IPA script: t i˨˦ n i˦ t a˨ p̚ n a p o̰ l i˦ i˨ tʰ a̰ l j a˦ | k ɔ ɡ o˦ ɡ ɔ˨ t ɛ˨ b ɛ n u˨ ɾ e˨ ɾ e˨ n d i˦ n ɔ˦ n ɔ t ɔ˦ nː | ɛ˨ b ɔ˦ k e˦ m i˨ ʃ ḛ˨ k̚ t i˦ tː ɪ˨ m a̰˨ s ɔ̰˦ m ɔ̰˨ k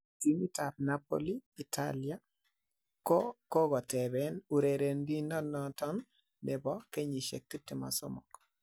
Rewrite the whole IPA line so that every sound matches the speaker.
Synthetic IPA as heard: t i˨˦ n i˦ t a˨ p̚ n a p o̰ l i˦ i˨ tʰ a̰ l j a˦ | k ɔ k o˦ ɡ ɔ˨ t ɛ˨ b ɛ n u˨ ɾ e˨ ɾ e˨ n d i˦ n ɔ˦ n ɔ t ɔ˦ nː | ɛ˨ b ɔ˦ k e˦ ɲ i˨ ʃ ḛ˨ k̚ t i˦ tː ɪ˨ m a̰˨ s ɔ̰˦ m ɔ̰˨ k